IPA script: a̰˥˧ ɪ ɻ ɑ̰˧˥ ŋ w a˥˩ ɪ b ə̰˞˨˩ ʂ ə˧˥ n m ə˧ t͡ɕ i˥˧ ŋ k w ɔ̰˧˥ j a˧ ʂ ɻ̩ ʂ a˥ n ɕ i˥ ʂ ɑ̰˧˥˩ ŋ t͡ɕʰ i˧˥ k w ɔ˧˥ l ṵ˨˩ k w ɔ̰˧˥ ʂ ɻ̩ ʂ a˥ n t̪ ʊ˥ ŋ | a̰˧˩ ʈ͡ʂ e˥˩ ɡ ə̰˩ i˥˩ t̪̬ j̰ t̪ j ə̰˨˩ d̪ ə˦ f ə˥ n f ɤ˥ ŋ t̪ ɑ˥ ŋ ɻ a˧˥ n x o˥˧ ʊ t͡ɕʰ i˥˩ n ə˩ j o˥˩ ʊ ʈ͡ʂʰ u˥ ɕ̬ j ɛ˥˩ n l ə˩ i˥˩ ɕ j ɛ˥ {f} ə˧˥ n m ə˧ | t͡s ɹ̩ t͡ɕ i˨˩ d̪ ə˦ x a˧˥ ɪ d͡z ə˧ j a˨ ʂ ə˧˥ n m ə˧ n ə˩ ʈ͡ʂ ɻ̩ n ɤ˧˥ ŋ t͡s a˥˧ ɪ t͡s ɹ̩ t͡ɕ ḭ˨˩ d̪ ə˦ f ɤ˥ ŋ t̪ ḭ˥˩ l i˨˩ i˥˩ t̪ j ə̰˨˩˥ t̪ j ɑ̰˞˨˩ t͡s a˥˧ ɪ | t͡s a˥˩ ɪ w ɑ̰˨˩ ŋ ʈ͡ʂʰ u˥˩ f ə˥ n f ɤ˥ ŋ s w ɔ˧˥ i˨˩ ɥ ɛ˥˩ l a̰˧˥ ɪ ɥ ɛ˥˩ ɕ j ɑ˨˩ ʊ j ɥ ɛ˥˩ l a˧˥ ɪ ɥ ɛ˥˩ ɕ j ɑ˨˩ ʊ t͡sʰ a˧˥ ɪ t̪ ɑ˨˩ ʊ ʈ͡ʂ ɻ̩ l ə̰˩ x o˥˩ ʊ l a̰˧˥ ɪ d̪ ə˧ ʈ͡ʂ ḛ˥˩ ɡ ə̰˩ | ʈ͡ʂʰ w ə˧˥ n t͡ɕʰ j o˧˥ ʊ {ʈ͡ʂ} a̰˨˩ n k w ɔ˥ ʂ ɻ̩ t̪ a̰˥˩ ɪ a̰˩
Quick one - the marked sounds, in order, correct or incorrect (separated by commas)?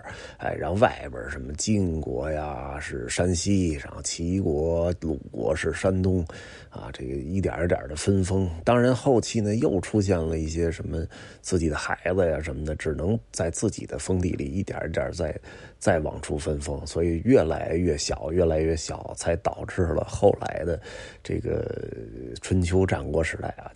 incorrect, correct